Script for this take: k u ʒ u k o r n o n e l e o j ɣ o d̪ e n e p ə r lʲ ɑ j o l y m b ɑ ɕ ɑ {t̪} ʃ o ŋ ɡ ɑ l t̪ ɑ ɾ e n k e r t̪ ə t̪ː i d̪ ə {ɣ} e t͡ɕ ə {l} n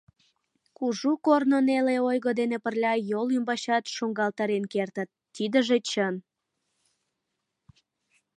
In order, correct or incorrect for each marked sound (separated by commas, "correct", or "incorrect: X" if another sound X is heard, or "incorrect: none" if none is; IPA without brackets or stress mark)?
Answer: correct, incorrect: ʒ, incorrect: none